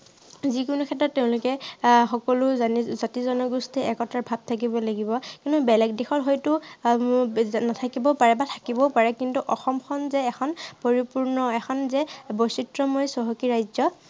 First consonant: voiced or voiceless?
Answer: voiced